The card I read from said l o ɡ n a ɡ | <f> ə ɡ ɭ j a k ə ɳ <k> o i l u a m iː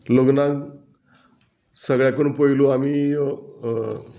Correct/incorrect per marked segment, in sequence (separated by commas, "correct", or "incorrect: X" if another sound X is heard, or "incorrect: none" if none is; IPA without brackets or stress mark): incorrect: s, incorrect: p